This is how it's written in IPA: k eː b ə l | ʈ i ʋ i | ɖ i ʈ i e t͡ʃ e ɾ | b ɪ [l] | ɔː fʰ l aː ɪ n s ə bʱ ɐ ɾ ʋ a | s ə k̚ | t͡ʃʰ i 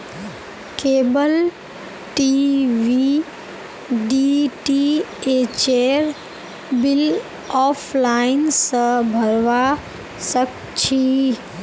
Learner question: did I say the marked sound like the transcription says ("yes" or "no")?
yes